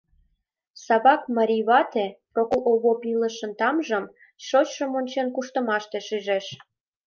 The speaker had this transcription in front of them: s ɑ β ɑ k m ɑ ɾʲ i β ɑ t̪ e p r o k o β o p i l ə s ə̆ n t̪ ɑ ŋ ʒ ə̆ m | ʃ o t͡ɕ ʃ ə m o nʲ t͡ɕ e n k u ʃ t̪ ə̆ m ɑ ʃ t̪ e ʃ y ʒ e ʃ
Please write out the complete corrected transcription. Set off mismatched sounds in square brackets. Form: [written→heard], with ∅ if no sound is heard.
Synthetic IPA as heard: s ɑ β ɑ k m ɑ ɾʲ i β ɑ t̪ e p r o k o β o p i l ə [s→ʃ] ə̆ n t̪ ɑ [ŋ→m] ʒ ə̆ m | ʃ o t͡ɕ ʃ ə m o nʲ t͡ɕ e n k u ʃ t̪ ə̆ m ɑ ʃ t̪ e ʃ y ʒ e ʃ